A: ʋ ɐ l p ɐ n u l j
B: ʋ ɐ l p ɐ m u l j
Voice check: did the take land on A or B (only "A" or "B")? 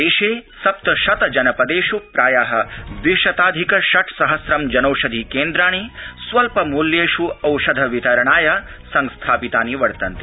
B